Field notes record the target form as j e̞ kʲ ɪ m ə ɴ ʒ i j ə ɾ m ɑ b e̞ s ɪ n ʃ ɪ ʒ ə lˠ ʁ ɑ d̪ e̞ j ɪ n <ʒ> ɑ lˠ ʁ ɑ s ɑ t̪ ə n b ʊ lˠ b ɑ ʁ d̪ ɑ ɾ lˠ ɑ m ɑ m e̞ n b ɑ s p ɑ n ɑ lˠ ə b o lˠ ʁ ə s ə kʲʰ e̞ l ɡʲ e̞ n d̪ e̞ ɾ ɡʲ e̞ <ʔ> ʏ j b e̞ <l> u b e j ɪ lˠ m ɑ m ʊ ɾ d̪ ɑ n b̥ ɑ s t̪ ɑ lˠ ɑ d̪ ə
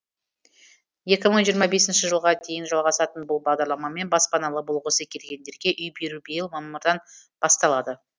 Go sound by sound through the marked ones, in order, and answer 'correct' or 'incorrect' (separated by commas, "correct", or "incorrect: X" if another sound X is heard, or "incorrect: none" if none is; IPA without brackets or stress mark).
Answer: correct, correct, incorrect: ɾ